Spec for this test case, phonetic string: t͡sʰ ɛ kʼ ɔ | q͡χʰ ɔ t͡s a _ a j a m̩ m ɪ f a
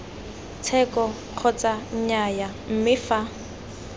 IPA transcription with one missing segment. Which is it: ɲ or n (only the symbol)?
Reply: ɲ